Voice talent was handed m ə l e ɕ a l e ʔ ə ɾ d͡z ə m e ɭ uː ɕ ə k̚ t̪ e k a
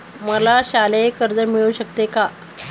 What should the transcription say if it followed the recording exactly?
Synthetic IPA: m ə l a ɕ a l e k ə ɾ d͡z ə m i ɭ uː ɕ ə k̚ t̪ e k a